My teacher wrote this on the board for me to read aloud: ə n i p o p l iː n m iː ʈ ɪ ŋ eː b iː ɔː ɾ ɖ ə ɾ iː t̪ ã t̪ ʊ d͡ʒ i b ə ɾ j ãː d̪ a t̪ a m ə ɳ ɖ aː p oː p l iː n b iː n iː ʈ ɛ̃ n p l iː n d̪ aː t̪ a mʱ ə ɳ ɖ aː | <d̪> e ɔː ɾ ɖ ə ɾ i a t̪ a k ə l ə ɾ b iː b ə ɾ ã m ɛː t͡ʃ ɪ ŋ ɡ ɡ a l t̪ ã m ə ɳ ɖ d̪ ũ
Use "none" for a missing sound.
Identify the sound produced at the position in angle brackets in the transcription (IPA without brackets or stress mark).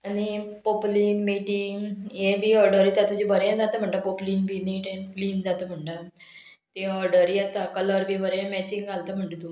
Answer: t̪